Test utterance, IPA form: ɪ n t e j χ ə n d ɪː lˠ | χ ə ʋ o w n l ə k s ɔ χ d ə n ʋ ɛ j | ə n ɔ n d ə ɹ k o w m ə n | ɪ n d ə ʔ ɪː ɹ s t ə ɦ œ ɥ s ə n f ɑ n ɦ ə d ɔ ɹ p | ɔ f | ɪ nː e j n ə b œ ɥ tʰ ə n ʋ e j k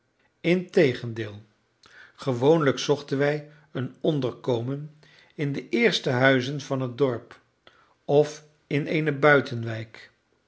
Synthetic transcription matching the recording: ɪ n t e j χ ə n d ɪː lˠ | χ ə ʋ o w n l ə k s ɔ χ t ə n ʋ ɛ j | ə n ɔ n d ə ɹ k o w m ə n | ɪ n d ə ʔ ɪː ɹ s t ə ɦ œ ɥ z ə n v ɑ n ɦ ə d ɔ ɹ p | ɔ f | ɪ n e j n ə b œ ɥ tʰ ə n ʋ ɛ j k